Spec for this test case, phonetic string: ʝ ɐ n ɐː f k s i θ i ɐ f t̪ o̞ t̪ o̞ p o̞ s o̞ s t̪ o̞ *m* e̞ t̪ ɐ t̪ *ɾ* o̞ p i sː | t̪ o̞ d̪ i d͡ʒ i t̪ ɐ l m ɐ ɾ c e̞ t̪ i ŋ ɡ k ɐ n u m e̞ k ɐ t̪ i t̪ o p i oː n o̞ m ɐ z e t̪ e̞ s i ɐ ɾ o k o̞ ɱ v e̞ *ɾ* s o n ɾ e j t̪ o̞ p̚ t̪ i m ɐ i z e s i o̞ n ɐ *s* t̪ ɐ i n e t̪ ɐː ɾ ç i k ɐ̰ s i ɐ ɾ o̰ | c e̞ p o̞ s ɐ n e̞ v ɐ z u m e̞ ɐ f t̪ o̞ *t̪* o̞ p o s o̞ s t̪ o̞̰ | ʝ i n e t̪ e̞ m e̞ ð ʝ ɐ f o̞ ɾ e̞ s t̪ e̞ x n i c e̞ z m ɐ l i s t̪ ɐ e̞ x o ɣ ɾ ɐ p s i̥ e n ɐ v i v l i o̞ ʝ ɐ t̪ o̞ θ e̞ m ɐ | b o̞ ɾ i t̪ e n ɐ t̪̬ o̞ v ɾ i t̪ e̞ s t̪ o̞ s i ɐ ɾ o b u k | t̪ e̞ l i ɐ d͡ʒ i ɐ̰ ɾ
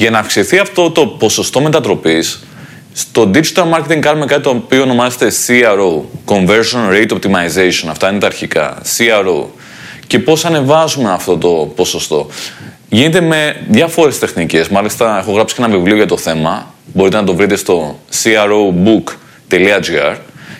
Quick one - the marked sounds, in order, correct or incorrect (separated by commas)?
correct, correct, correct, incorrect, correct